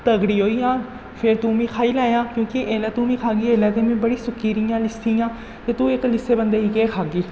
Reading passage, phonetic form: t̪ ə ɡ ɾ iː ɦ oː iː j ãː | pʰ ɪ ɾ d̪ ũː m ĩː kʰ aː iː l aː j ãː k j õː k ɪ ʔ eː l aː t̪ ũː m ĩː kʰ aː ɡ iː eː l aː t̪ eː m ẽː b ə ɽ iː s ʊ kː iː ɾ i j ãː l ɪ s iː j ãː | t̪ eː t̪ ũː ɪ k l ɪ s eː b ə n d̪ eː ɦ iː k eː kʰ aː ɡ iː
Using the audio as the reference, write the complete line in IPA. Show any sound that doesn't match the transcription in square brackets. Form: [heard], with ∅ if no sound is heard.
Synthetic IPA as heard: t̪ ə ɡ [ɽ] iː ɦ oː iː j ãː | pʰ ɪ ɾ [t̪] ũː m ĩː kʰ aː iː l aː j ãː k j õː k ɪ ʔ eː l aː t̪ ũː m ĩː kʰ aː ɡ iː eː l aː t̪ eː m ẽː b ə ɽ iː s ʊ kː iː ɾ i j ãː l ɪ s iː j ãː | t̪ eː t̪ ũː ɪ k l ɪ s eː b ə n d̪ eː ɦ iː k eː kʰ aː ɡ iː